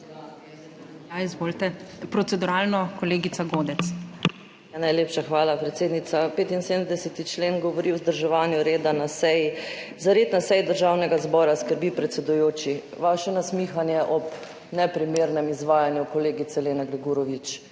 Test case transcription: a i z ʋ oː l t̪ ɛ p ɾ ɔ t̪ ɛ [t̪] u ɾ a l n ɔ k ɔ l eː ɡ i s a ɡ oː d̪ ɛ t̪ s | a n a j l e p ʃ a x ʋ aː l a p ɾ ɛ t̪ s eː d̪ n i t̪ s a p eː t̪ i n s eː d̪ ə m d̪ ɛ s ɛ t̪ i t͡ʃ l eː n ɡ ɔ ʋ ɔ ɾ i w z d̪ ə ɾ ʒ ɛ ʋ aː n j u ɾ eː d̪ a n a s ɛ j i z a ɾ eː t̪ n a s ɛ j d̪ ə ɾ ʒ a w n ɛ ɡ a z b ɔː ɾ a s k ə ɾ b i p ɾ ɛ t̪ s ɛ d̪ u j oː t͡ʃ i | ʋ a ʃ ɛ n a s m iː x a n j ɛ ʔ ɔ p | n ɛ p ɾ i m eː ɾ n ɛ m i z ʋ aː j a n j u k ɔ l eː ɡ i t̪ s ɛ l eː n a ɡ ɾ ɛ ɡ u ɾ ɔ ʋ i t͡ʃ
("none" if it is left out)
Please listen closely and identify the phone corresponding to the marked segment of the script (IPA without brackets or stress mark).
d̪